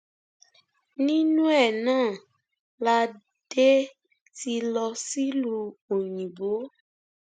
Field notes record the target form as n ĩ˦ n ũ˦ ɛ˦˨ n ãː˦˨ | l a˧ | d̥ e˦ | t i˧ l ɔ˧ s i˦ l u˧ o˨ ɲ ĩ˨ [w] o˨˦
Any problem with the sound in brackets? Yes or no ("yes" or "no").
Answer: yes